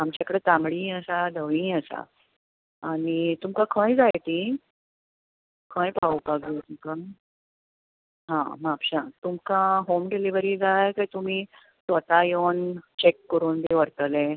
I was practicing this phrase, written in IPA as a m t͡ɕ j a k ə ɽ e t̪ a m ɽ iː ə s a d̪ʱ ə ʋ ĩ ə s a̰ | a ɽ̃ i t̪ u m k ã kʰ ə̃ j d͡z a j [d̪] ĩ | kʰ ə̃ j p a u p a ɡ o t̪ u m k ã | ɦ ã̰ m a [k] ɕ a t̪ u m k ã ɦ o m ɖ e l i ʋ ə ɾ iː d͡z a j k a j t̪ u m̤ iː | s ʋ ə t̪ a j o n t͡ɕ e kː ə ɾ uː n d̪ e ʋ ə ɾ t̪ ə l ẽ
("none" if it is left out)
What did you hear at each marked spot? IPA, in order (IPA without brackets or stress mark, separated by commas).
t̪, p